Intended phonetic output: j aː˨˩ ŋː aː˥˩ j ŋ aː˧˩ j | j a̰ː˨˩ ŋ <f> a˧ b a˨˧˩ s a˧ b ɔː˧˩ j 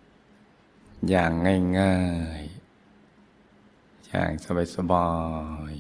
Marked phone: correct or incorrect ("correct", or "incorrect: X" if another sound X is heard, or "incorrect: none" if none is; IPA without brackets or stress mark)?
incorrect: s